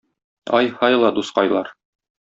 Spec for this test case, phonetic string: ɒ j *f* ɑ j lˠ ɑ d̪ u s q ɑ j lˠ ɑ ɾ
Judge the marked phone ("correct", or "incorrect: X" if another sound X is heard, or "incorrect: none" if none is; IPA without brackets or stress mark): incorrect: h